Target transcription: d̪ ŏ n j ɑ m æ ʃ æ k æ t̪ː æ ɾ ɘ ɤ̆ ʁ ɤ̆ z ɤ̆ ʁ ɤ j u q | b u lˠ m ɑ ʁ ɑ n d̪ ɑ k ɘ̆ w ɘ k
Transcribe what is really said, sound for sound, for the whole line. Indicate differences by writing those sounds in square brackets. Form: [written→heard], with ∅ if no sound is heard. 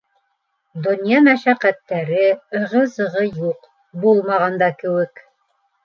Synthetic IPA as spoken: d̪ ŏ n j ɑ m æ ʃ æ [k→q] æ t̪ː æ ɾ ɘ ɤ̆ ʁ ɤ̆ z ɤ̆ ʁ ɤ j u q | b u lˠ m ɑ ʁ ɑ n d̪ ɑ k ɘ̆ w ɘ k